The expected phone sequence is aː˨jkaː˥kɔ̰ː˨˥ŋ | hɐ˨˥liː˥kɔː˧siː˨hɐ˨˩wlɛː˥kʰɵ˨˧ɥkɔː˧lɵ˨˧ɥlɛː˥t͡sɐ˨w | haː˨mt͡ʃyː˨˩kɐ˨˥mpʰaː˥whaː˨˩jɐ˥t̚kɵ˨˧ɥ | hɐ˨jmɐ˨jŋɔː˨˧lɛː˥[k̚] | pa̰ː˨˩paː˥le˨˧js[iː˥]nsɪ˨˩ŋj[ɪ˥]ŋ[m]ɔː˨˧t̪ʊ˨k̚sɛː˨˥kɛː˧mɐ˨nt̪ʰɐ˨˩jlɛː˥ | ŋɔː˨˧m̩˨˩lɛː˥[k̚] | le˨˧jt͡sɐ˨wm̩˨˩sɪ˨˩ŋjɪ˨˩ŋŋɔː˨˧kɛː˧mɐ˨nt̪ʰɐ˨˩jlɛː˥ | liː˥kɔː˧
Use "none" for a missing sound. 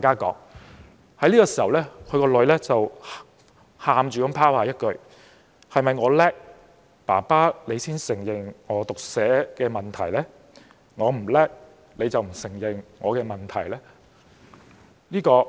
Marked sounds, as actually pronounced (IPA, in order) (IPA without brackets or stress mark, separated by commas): k̚, iː˥, ɪ˨˩, ŋ, k̚